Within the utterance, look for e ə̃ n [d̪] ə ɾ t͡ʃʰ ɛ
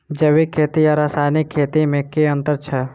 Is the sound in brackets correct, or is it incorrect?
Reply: incorrect